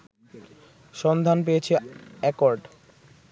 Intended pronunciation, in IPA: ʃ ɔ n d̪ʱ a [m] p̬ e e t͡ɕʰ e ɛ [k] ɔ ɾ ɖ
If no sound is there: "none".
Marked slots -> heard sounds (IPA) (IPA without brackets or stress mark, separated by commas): n, k